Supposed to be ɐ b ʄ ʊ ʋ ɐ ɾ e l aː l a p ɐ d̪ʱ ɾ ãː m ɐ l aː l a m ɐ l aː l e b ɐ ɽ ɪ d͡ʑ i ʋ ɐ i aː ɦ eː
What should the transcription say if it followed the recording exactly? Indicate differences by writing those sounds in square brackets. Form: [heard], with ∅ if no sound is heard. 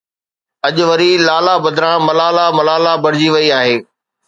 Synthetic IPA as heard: ɐ [∅] ʄ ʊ ʋ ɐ ɾ [i] l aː l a [b] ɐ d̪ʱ ɾ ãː m ɐ l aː l a m ɐ l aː l [a] b ɐ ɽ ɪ d͡ʑ i ʋ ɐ i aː ɦ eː